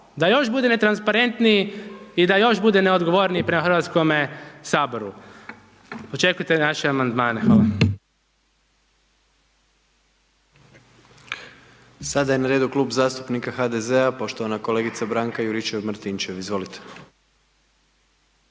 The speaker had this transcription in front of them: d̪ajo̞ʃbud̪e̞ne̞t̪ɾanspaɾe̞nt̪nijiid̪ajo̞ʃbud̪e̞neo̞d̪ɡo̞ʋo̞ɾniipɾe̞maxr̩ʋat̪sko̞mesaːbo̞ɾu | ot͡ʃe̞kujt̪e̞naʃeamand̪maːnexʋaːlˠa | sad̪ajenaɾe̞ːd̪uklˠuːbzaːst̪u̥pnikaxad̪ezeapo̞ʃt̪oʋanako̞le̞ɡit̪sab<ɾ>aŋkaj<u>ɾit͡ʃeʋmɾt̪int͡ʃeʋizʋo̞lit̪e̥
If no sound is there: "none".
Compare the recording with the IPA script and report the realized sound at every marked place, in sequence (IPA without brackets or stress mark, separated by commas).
ɾ, u